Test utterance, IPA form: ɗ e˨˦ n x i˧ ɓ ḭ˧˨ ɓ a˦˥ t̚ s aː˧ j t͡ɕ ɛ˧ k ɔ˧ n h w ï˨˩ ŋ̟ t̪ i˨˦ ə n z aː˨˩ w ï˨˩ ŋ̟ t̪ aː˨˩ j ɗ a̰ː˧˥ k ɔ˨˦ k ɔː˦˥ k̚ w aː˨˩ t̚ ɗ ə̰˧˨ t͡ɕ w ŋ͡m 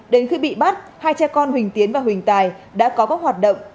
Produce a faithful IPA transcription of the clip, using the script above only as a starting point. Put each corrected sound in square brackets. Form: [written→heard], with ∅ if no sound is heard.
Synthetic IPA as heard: ɗ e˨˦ n x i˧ ɓ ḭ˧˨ ɓ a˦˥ t̚ [s→h] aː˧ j t͡ɕ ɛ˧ k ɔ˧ n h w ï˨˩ ŋ̟ t̪ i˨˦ ə n [z→v] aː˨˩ w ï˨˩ ŋ̟ t̪ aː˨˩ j ɗ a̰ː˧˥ k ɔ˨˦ k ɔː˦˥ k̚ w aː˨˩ t̚ ɗ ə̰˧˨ [t͡ɕ→∅] w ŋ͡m